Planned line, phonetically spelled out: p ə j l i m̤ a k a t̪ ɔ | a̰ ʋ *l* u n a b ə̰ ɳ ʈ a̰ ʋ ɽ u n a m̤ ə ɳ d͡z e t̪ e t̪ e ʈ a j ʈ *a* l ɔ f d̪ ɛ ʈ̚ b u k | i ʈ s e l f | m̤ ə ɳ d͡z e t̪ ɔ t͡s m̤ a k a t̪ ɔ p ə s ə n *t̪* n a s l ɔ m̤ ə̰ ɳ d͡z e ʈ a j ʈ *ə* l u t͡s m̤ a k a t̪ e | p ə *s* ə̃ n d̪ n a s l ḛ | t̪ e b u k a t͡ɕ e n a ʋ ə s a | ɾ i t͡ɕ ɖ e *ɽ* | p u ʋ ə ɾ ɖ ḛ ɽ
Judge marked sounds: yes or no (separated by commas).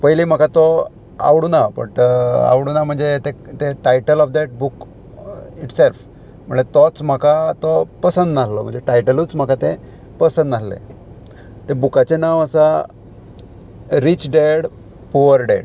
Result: no, no, no, yes, yes, yes